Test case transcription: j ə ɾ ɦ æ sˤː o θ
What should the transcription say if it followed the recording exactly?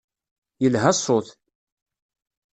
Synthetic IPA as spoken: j ə l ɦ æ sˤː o θ